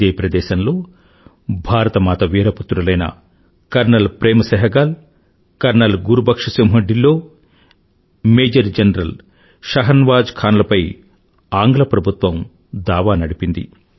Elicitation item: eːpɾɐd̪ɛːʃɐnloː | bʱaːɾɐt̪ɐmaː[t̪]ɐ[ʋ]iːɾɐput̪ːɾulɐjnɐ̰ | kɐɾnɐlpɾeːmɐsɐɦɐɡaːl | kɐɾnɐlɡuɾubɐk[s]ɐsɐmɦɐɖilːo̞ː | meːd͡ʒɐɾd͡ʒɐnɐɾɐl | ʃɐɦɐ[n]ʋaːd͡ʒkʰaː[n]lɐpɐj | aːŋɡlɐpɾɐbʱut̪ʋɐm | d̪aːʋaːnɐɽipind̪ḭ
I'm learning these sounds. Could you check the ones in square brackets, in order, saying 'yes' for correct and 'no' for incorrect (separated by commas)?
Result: yes, yes, no, yes, yes